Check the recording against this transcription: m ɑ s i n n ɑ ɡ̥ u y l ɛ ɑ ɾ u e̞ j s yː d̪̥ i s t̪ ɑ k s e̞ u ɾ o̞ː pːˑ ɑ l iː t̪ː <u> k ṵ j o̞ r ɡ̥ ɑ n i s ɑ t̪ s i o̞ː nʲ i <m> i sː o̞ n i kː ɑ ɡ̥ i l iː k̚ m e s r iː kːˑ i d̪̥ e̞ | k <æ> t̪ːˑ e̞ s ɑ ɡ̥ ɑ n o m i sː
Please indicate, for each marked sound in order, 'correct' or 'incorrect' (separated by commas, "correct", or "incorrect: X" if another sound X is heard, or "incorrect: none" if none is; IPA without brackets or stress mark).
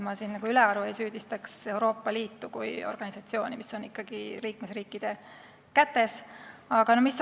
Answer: correct, correct, correct